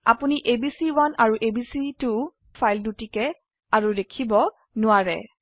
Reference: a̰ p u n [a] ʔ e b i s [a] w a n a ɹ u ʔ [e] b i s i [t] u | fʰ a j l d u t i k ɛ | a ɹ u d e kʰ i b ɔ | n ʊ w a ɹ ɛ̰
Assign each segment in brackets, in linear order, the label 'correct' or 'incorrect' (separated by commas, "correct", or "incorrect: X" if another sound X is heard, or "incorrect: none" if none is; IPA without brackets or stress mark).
incorrect: i, incorrect: i, correct, correct